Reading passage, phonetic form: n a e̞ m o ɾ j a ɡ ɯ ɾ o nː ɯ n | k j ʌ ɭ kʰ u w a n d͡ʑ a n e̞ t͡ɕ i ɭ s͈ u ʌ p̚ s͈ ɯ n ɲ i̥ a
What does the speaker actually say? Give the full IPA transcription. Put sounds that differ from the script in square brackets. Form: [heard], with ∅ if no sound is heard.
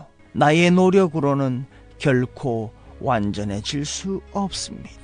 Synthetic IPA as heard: n a e̞ [n] o ɾ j [ʌ] ɡ ɯ ɾ o [n] ɯ n | k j ʌ ɭ kʰ [o] w a n d͡ʑ [ʌ] n e̞ t͡ɕ i ɭ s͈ u ʌ p̚ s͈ ɯ [m] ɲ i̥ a